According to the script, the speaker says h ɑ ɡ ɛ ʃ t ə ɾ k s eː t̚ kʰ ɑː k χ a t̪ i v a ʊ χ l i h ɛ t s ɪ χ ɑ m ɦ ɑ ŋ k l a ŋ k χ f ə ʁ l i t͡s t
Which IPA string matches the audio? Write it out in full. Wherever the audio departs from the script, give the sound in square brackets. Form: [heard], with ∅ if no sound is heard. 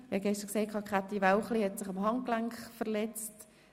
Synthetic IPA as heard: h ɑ ɡ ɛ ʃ t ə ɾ k s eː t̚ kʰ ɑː k χ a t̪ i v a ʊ χ l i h ɛ t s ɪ χ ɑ m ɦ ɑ ŋ k l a ŋ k χ f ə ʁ l [ɛ] t͡s t